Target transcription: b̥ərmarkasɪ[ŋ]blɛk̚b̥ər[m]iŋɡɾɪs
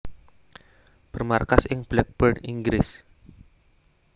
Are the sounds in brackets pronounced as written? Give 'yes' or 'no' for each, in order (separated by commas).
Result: yes, no